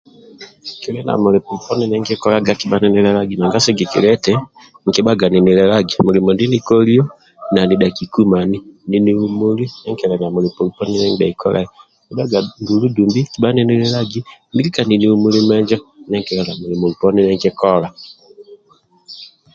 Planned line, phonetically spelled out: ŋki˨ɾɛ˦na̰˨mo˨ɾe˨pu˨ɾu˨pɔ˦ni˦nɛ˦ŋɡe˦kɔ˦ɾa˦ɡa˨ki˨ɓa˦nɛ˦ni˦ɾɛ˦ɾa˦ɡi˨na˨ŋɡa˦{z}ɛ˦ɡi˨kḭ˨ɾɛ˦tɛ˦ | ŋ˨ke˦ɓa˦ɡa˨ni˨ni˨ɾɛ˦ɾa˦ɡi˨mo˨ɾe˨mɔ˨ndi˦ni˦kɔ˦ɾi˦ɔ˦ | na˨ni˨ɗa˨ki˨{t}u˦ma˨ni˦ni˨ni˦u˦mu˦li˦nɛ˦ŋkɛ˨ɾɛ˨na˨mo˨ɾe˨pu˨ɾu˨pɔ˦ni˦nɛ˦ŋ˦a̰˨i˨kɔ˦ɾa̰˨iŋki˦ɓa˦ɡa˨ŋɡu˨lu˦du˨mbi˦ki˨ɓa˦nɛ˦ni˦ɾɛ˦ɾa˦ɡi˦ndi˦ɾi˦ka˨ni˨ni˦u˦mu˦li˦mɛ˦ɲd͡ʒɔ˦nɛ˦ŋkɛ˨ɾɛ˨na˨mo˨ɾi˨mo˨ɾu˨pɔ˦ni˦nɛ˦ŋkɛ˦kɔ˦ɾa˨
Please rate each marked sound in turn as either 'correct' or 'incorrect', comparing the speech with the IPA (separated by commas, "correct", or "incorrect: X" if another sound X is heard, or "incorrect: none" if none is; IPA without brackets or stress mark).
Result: incorrect: s, incorrect: k